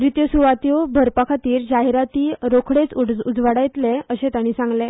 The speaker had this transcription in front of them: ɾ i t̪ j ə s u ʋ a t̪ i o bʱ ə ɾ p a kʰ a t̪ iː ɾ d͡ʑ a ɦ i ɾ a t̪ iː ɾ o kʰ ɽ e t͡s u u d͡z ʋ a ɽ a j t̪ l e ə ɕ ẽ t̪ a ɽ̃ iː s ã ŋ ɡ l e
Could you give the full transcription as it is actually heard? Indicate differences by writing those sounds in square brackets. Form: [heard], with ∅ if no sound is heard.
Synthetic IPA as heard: ɾ i t̪ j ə s u ʋ a t̪ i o bʱ ə ɾ p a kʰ a t̪ iː ɾ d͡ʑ a ɦ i ɾ a t̪ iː ɾ o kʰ ɽ e t͡s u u d͡z ʋ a ɽ a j t̪ l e ə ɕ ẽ t̪ a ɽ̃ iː s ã ŋ ɡ l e

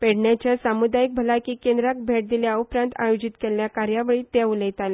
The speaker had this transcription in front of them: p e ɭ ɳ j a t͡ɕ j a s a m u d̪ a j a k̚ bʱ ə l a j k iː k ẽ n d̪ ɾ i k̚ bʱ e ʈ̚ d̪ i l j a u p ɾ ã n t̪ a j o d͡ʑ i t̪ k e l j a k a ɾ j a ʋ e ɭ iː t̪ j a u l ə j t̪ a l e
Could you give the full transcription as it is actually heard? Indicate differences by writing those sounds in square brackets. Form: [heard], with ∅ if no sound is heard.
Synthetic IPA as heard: p e [ɽ] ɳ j a t͡ɕ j a s a m u d̪ a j [i] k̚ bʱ ə l a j k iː k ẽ n d̪ ɾ [a] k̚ bʱ e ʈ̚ d̪ i l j a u p ɾ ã n t̪ a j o d͡ʑ i t̪ k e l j a k a ɾ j a ʋ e ɭ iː t̪ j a u l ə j t̪ a l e

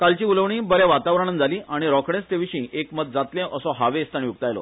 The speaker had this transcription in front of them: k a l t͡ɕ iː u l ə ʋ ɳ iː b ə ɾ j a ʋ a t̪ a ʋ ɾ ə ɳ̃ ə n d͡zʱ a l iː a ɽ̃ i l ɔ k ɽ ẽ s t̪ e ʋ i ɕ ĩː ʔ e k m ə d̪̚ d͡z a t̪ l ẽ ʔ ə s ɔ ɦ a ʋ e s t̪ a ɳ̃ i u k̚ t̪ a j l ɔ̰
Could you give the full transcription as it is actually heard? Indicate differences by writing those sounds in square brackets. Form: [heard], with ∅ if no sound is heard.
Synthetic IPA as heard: k a l t͡ɕ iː u l ə ʋ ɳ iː b ə ɾ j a ʋ a t̪ a ʋ ɾ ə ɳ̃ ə n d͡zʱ a l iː a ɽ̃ i [ɾ] ɔ k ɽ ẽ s t̪ e ʋ i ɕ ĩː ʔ e k m ə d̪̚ d͡z a t̪ l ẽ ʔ ə s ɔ ɦ a ʋ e s t̪ a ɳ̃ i u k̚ t̪ a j l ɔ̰

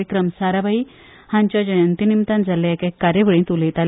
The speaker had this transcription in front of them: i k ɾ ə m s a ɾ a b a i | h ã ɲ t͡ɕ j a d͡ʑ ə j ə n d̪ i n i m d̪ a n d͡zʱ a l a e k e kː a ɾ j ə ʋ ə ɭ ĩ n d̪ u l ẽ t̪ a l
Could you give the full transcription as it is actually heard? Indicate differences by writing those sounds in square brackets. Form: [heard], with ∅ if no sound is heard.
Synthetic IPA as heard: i k ɾ ə m s a ɾ a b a i | h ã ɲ t͡ɕ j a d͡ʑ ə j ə n [t̪] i n i m [t̪] a n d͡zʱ a l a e k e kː a ɾ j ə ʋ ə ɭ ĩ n [t̪] u l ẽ t̪ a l

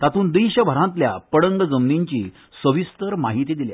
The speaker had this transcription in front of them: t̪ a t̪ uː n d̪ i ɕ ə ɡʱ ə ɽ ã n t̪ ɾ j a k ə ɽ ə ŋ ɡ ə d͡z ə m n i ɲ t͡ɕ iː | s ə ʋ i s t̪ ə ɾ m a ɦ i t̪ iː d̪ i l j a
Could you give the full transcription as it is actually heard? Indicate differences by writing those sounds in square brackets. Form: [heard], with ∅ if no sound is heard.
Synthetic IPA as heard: t̪ a t̪ uː n d̪ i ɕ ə [bʱ] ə [ɾ] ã n t̪ [l] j a [p] ə ɽ ə ŋ ɡ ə d͡z ə m n i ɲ t͡ɕ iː | s ə ʋ i s t̪ ə ɾ m a ɦ i t̪ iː d̪ i l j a

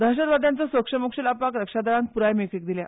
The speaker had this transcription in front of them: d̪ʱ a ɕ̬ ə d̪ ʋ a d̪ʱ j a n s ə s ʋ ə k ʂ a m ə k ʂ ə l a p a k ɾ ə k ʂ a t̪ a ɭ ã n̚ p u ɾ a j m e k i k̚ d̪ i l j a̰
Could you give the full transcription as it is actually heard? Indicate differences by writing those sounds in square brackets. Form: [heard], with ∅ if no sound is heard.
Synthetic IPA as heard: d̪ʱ a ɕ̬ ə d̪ ʋ a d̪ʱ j a n [t͡s] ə s ʋ ə k ʂ [ə] m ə k ʂ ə l a p a k ɾ ə k ʂ a [d̪] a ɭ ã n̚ p u ɾ a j m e k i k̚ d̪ i l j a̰

